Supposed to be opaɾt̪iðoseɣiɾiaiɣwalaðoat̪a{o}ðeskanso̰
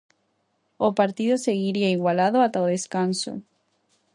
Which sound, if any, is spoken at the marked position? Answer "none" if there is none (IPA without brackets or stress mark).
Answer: o